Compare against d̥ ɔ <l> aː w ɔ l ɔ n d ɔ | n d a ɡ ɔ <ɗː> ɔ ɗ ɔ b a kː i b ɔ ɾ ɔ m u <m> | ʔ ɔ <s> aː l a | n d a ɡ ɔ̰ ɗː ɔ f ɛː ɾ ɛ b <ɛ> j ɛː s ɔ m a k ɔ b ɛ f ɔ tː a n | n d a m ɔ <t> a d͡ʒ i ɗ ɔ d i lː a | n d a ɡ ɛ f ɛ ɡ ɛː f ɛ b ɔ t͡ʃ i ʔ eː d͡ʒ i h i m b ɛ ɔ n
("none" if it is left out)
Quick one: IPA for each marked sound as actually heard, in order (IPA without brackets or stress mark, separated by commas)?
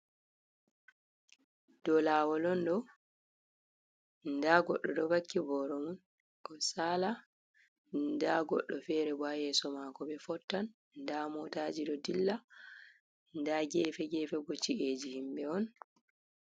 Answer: l, ɗː, n, s, a, t